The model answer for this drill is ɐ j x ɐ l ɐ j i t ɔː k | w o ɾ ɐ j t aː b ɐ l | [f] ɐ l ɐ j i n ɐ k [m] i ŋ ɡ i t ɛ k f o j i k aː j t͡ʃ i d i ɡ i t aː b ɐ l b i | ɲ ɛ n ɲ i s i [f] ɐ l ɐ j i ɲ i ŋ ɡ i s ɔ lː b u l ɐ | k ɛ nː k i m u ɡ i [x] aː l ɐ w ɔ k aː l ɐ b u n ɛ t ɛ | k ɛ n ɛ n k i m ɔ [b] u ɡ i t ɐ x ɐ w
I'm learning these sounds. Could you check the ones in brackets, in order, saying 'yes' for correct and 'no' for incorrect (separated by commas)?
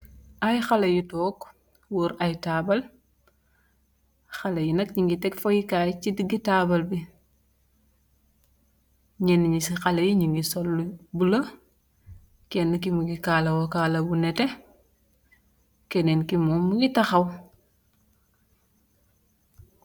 no, no, no, no, no